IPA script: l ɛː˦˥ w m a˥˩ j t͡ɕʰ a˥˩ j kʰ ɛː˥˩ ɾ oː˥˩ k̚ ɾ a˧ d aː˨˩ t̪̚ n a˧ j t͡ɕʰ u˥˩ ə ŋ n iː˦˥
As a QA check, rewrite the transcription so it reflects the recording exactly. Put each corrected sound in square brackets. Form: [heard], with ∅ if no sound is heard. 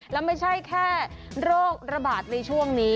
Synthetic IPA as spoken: l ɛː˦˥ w m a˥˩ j t͡ɕʰ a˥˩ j kʰ ɛː˥˩ ɾ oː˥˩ k̚ ɾ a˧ [b] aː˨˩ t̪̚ n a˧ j t͡ɕʰ u˥˩ ə ŋ n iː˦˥